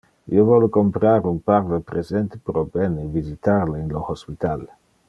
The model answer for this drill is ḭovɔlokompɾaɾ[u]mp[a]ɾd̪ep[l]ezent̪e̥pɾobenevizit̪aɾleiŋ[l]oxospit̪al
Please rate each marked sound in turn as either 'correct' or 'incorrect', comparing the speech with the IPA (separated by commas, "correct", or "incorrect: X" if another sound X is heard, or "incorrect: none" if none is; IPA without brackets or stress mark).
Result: correct, correct, incorrect: ɾ, correct